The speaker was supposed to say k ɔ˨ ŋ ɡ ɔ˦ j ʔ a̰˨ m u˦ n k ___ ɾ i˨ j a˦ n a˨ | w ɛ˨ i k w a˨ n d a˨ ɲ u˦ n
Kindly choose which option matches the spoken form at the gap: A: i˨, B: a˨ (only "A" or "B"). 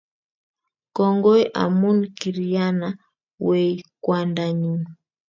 A